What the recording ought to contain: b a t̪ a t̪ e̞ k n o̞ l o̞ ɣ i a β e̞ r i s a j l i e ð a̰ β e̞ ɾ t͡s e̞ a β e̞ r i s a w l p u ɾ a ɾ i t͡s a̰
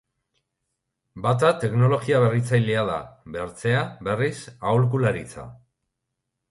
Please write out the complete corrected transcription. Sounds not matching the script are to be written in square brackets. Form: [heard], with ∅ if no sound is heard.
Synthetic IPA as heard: b a t̪ a t̪ e̞ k n o̞ l o̞ ɣ i a β e̞ r i [t͡s] a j l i [a] ð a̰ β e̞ ɾ t͡s e̞ a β e̞ r i s a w l [k] u [l] a ɾ i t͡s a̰

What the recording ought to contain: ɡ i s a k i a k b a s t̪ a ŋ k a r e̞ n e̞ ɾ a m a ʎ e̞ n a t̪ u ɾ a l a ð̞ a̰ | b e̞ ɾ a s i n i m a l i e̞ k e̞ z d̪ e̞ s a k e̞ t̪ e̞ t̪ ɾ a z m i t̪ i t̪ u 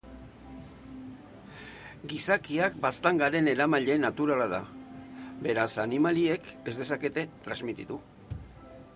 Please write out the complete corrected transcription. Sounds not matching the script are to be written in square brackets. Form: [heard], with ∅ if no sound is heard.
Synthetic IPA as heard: ɡ i s a k i a k b a s t̪ a ŋ [ɡ] a [ɾ] e̞ n e̞ ɾ a m a ʎ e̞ n a t̪ u ɾ a l a ð̞ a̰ | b e̞ ɾ a s [a] n i m a l i e̞ k e̞ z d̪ e̞ s a k e̞ t̪ e̞ t̪ ɾ a z m i t̪ i t̪ u

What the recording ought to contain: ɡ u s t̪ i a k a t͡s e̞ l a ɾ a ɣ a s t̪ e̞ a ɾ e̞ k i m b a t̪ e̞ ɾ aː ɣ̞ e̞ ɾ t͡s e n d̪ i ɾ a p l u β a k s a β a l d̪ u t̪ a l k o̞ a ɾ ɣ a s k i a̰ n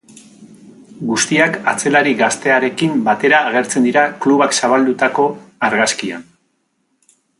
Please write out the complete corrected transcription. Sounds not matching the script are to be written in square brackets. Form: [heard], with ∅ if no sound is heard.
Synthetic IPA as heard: ɡ u s t̪ i a k a t͡s e̞ l a ɾ [i] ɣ a s t̪ e̞ a ɾ e̞ k i m b a t̪ e̞ ɾ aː ɣ̞ e̞ ɾ t͡s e n d̪ i ɾ a [k] l u β a k s a β a l d̪ u t̪ a [∅] k o̞ a ɾ ɣ a s k i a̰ n

